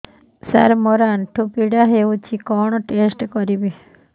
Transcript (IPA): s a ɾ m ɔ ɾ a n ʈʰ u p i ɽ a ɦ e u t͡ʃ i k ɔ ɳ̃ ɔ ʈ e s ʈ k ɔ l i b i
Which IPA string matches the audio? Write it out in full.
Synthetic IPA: s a ɾ m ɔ ɾ a n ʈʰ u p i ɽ a ɦ e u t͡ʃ i k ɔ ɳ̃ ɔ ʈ e s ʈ k ɔ ɾ i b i